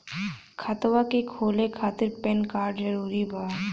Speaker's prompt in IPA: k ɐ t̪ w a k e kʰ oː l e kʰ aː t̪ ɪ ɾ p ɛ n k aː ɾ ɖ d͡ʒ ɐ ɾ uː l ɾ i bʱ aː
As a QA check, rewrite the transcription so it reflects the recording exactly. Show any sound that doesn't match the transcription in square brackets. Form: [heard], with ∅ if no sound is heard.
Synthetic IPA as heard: [kʰ] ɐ t̪ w a k e kʰ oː l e kʰ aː t̪ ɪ ɾ p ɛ n k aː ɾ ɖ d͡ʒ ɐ ɾ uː [∅] ɾ i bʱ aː